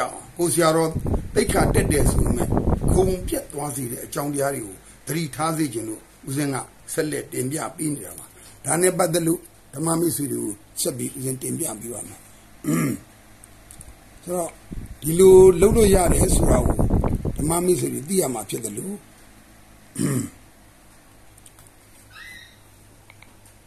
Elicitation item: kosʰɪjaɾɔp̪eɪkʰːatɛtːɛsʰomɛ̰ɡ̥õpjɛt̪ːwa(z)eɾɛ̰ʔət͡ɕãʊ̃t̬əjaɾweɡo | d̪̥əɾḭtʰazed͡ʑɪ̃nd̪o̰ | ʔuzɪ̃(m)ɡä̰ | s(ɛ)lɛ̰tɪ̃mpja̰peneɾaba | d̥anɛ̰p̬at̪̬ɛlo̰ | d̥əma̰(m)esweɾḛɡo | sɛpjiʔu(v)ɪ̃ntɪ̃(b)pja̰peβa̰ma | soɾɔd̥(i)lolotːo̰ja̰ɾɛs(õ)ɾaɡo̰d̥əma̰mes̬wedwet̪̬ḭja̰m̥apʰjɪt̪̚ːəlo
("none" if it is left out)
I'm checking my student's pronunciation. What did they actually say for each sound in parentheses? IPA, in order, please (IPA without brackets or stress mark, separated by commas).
z, ŋ, ɛ, m, z, m, i, o